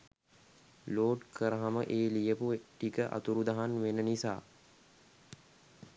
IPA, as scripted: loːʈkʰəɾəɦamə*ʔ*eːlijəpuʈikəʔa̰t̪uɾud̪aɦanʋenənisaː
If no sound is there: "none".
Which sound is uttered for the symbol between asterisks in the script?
ʔ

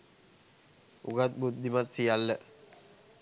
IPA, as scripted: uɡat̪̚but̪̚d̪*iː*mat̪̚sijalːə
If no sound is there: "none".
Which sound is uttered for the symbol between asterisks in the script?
i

